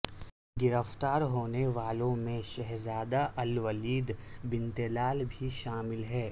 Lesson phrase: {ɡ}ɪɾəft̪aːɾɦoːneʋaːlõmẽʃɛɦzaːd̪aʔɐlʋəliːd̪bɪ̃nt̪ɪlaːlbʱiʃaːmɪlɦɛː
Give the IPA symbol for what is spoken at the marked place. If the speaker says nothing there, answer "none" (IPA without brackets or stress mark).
ɡ